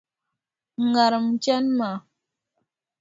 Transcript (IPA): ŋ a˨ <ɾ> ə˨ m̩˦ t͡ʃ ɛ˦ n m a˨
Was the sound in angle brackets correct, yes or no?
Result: yes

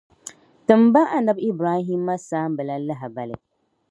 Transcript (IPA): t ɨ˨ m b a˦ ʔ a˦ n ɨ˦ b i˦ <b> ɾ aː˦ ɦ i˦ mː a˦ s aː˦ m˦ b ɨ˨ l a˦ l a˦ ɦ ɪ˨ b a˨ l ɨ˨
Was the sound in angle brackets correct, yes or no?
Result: yes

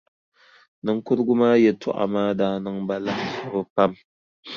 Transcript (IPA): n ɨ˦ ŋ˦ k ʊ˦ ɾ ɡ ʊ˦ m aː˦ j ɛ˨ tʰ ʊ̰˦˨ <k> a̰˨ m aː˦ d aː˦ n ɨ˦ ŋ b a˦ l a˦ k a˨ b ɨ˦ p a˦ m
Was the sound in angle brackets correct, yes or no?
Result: no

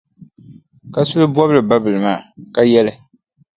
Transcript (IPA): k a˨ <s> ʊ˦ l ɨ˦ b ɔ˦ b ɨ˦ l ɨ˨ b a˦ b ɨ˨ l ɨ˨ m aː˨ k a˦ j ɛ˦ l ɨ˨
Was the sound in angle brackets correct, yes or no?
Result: yes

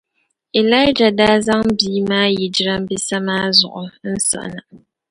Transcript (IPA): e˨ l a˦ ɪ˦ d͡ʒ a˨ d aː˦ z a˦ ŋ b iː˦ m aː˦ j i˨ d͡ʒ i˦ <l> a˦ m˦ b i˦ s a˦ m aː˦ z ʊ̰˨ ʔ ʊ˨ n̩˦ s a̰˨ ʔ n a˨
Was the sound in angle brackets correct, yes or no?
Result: no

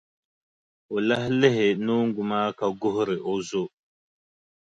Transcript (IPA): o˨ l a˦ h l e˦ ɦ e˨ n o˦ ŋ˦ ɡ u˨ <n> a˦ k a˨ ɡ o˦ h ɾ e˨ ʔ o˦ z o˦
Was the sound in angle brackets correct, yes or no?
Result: no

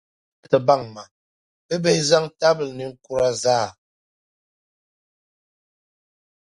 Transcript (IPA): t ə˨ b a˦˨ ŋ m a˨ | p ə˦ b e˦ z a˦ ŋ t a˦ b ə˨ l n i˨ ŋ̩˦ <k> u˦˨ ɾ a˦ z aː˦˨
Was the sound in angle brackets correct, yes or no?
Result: yes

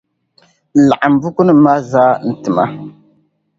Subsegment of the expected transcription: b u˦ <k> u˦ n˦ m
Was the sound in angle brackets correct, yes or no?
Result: yes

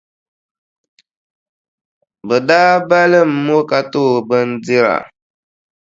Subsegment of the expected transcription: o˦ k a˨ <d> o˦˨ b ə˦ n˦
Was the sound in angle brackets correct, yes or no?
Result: no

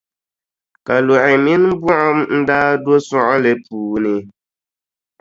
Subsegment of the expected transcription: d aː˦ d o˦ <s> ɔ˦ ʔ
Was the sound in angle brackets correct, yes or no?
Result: yes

